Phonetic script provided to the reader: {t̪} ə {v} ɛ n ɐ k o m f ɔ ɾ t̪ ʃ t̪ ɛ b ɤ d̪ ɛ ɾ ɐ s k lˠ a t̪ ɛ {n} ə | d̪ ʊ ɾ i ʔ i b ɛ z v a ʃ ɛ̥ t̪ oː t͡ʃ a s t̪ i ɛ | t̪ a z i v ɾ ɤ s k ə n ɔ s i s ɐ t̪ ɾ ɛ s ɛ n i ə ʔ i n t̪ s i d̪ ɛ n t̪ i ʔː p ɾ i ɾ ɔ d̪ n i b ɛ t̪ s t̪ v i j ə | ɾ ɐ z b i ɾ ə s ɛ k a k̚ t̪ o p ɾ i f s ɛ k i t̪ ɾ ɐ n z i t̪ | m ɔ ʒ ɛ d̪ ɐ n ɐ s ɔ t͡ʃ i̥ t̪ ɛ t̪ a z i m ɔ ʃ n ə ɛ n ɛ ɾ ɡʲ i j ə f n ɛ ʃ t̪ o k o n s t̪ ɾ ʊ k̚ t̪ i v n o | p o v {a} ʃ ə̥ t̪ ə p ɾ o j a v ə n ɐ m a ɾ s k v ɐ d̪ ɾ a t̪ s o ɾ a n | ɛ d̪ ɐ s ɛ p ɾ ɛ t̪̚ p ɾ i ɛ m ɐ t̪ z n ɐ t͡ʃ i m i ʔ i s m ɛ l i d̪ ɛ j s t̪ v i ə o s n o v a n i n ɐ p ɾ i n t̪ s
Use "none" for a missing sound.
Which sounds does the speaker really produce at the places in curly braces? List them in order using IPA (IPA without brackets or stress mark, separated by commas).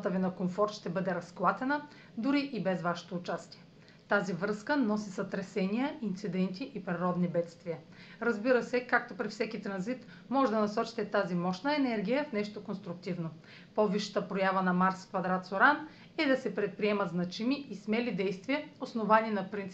t̪, v, n, i